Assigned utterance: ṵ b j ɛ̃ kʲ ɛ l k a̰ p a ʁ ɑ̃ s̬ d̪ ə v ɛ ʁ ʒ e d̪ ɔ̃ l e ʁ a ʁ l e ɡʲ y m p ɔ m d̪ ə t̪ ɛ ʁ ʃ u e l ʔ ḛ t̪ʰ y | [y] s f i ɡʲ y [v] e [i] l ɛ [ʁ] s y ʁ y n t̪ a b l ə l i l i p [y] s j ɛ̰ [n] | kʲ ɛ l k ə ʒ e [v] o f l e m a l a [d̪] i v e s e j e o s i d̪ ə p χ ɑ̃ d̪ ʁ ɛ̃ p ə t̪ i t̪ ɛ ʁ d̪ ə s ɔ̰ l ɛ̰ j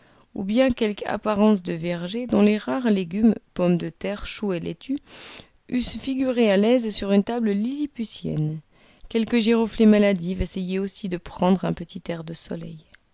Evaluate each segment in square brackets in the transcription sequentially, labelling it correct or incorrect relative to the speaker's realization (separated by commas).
correct, incorrect, incorrect, incorrect, correct, correct, incorrect, correct